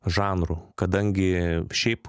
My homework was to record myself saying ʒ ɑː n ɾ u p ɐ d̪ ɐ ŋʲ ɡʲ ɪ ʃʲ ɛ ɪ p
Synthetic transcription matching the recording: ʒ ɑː n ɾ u k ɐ d̪ ɐ ŋʲ ɡʲ ɪ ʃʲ ɛ ɪ p